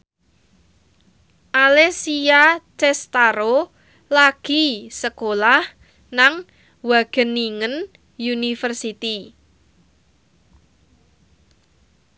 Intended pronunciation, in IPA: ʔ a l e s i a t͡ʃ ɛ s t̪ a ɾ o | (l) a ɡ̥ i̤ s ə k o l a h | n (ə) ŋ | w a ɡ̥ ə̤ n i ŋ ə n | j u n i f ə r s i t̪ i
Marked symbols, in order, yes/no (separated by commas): yes, no